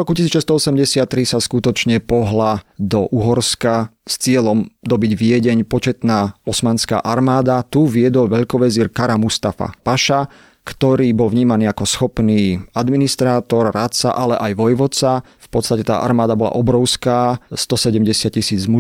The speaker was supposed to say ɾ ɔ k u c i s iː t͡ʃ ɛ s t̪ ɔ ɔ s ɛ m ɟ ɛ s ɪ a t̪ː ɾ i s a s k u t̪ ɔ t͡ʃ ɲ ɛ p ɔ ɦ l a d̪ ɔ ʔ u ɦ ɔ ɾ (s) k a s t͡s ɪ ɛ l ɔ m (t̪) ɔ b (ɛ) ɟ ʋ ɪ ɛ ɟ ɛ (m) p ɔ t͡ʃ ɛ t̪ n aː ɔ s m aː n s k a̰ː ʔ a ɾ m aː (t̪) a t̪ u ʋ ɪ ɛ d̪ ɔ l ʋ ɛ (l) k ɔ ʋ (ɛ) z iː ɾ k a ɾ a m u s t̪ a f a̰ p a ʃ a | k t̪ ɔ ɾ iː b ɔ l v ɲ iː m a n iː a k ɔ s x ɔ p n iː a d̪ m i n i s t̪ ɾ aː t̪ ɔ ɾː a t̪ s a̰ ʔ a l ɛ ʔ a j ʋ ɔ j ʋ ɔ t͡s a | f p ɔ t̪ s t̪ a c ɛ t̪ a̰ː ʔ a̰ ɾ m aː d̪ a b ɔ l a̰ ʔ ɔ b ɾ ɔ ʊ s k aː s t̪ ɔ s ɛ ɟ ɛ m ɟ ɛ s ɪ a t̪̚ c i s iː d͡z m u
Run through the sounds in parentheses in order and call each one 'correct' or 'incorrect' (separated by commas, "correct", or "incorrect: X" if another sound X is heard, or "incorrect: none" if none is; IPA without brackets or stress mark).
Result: correct, incorrect: d̪, incorrect: i, incorrect: ɲ, incorrect: d̪, incorrect: ʎ, correct